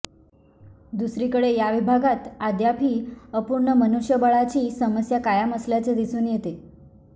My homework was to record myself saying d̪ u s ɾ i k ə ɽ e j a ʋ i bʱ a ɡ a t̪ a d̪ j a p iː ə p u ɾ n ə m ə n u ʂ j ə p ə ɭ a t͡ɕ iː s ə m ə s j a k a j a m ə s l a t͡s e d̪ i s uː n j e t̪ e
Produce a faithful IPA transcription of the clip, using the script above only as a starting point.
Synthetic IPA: d̪ u s ɾ i k ə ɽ e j a ʋ i bʱ a ɡ a t̪ a d̪ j a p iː ə p u ɾ ɳ ə m ə n u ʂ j ə b ə ɭ a t͡ɕ iː s ə m ə s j a k a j a m ə s l a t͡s e d̪ i s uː n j e t̪ e